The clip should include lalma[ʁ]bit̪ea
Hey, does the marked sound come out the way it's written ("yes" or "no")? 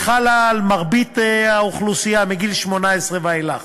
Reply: yes